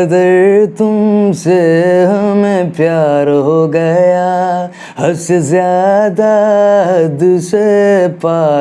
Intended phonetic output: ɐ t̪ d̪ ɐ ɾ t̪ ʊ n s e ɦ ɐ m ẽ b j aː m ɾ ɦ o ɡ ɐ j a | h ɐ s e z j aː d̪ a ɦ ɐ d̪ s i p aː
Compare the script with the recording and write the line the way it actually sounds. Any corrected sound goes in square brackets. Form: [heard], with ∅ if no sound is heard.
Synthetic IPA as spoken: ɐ [∅] d̪ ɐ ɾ t̪ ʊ [m] s e ɦ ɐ m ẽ [p] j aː [∅] ɾ ɦ o ɡ ɐ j a | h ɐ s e z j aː d̪ a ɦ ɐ d̪ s [e] p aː